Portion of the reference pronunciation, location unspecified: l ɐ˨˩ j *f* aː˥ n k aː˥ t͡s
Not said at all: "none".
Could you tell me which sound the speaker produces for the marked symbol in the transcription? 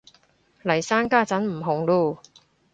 s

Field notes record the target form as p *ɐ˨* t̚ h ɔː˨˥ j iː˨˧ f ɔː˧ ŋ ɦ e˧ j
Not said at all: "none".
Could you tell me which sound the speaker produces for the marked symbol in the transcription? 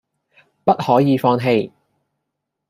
ɐ˥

